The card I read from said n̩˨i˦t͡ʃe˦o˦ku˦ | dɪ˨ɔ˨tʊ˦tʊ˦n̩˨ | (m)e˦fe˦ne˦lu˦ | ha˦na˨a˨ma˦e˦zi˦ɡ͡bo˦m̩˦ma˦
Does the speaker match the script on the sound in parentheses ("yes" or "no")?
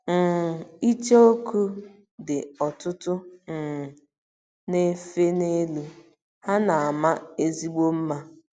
no